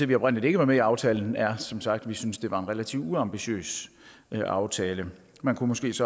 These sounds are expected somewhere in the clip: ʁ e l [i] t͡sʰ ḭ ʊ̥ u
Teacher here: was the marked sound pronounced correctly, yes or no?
no